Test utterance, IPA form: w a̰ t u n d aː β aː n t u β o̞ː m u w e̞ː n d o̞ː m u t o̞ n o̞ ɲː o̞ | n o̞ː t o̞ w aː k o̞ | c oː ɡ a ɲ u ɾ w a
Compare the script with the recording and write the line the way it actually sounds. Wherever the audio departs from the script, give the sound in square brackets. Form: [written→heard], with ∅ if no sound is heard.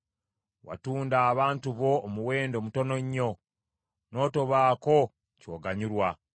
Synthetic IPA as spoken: w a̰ t [u→uː] n d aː β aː n t u β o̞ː m u w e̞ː n d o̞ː m u t o̞ n o̞ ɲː o̞ | n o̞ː t o̞ [w→β] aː k o̞ | c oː ɡ a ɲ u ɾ w a

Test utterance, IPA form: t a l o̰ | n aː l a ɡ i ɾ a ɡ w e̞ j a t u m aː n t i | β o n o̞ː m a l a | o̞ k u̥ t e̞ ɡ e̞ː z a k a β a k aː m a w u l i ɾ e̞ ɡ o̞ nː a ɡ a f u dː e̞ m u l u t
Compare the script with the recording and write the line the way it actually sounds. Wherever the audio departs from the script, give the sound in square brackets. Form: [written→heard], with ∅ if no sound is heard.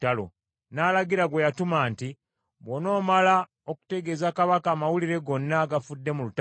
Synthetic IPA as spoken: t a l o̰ | n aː l a ɡ i ɾ a ɡ w e̞ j a t u m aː n t i | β o n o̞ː m a l a | o̞ k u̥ t e̞ ɡ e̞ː z a k a β a k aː m a w u l i ɾ e̞ ɡ o̞ nː a ɡ a f u dː e̞ m u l u t

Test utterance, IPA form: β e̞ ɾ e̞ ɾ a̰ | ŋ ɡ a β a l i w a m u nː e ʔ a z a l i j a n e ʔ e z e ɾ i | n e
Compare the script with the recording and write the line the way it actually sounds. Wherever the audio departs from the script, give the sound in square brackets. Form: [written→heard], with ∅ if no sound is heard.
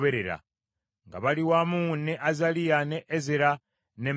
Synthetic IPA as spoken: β e̞ ɾ e̞ ɾ a̰ | ŋ ɡ a β a l i w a m u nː e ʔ a z a l i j a n e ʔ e z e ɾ [i→a] | n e

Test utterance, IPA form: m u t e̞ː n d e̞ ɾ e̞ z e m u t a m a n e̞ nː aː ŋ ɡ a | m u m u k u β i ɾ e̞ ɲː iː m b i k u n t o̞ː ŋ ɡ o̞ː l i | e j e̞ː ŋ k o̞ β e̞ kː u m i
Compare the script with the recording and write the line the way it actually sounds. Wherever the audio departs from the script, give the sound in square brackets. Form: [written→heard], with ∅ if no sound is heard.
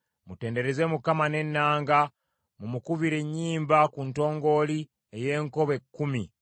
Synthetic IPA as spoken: m u t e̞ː n d e̞ ɾ e̞ z e m u [t→k] a m a n e̞ nː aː ŋ ɡ a | m u m u k u β i ɾ e̞ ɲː iː m b [i→a] k u n t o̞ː ŋ ɡ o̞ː l i | e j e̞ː ŋ k o̞ β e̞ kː u m i

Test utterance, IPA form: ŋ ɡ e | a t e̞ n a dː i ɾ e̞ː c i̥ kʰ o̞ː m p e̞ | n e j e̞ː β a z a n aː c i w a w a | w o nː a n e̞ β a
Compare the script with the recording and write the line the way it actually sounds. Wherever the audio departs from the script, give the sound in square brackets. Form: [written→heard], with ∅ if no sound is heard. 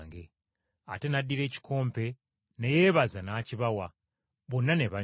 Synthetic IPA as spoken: ŋ ɡ e | a t e̞ n a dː i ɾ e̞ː c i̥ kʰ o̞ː m p e̞ | n e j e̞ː β a z a n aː c i [w→β] a w a | [w→β] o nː a n e̞ β a

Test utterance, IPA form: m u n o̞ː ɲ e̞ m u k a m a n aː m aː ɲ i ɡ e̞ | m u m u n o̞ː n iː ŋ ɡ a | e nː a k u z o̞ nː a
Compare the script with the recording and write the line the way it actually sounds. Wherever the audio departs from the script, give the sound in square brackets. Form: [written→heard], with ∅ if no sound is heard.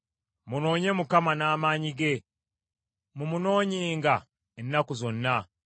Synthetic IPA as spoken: m u n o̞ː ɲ e̞ m u k a m a n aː m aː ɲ i ɡ e̞ | m u m u n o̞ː [n→ɲ] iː ŋ ɡ a | e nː a k u z o̞ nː a

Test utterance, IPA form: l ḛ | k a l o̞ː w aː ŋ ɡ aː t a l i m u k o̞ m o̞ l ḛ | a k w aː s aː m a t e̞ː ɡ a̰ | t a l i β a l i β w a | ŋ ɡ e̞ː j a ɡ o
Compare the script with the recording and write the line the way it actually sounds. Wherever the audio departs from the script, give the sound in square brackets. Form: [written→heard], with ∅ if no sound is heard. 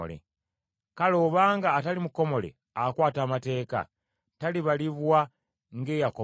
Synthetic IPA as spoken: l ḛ | k a l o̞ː [w→β] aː ŋ ɡ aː t a l i m u k o̞ m o̞ l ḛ | a k w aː [s→t] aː m a t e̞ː [ɡ→k] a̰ | t a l i β a l i β w a | ŋ ɡ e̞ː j a [ɡ→k] o

